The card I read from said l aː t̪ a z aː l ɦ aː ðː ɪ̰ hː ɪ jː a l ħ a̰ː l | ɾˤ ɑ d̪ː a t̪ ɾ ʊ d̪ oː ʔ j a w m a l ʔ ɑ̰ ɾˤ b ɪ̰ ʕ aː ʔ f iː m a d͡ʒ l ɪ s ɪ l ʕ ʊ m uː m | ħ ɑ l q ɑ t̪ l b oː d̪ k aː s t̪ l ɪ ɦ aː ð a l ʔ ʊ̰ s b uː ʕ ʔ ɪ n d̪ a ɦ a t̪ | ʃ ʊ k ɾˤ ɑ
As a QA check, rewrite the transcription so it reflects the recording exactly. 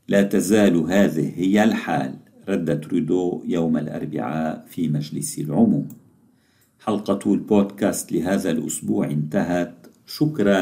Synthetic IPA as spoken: l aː t̪ a z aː l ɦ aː ð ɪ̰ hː ɪ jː a l ħ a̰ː l | ɾˤ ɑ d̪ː a t̪ ɾ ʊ d̪ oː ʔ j a w m a l ʔ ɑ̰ ɾˤ b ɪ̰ ʕ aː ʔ f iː m a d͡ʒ l ɪ s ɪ l ʕ ʊ m uː m | ħ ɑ l q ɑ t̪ l b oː d̪ k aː s t̪ l ɪ ɦ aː ð a l ʔ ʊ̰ s b uː ʕ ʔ ɪ n t̪ a ɦ a t̪ | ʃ ʊ k ɾˤ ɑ